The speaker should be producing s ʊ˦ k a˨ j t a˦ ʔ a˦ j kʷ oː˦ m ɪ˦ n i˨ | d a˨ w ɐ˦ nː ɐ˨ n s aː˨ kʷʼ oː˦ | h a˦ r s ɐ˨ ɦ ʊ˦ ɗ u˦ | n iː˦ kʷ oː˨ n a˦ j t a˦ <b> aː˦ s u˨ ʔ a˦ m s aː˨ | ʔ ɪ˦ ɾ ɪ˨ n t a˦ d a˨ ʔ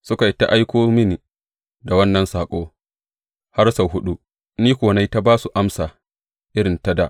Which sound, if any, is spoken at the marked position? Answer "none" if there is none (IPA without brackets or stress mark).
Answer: b